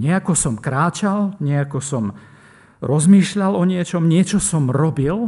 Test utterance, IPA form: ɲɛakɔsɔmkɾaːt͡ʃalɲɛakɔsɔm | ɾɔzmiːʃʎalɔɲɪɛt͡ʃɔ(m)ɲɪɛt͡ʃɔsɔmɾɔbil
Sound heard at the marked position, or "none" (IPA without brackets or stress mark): m